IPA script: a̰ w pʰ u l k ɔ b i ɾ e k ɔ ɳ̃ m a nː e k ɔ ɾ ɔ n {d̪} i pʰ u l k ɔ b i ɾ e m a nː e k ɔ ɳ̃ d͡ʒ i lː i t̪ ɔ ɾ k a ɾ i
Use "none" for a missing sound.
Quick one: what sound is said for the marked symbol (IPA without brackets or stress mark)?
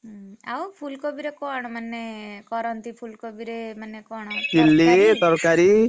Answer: t̪